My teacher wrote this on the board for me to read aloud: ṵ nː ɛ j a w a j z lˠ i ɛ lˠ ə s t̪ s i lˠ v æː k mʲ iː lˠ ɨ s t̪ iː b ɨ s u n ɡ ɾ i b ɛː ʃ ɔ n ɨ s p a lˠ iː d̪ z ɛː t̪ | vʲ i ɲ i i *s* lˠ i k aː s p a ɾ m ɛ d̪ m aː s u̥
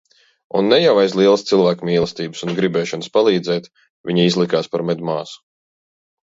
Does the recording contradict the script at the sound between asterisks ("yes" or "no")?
yes